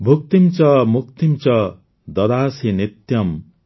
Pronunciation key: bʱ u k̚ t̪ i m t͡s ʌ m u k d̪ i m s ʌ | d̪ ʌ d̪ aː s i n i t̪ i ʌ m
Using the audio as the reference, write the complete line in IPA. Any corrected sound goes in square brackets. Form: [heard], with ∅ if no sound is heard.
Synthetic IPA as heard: bʱ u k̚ t̪ i m t͡s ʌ m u k [t̪] i m [t͡s] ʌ | d̪ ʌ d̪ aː s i n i t̪ [j] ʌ m